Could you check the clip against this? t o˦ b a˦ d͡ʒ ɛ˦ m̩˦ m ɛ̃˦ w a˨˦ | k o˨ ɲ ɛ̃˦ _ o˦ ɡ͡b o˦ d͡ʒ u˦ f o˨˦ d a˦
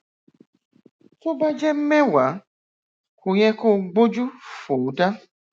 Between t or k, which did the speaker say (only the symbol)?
k